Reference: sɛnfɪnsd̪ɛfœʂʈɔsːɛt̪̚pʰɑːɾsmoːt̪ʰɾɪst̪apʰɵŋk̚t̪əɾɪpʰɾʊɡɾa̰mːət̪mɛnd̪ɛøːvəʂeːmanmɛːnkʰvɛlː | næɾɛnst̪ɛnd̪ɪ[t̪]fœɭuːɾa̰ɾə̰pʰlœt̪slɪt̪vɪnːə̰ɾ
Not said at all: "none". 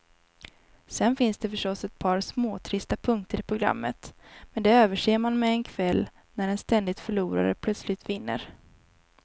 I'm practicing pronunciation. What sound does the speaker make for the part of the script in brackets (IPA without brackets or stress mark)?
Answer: t̪